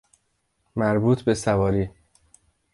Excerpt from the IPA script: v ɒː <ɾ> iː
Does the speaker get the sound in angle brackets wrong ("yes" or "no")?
no